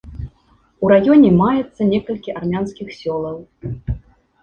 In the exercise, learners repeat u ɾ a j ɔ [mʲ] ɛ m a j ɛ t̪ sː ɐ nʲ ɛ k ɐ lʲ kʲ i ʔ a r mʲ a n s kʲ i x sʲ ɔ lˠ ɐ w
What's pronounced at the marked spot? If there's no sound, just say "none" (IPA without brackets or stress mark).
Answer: nʲ